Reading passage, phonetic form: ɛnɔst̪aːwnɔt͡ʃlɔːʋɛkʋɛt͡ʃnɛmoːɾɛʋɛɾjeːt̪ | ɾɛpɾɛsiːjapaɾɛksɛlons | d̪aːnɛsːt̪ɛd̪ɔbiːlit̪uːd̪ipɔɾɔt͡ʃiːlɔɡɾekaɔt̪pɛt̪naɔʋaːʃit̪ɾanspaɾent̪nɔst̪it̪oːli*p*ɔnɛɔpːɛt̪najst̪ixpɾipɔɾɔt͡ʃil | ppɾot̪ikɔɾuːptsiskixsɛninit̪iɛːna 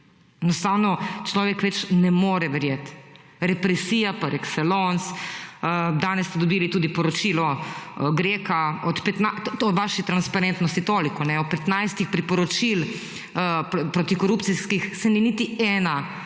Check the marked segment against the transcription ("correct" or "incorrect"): incorrect